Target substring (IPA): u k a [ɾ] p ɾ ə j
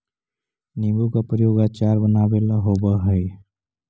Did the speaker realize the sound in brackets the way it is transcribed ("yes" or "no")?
no